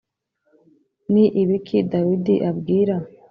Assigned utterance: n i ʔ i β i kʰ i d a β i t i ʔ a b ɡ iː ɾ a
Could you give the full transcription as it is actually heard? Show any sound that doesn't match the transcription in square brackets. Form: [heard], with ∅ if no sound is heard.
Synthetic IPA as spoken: n i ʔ i β i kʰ i d a [w] i [d] i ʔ a b ɡ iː ɾ a